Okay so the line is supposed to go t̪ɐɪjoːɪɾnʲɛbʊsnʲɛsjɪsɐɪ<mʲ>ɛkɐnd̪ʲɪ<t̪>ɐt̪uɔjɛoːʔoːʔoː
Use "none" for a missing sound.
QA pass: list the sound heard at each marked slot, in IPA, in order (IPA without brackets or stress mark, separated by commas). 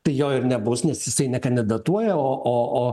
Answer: nʲ, d̪